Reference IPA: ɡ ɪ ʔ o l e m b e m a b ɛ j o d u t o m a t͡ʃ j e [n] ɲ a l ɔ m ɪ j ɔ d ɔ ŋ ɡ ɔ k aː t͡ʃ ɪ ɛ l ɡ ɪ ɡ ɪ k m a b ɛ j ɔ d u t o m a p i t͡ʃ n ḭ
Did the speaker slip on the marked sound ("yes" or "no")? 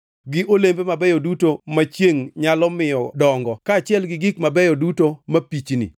yes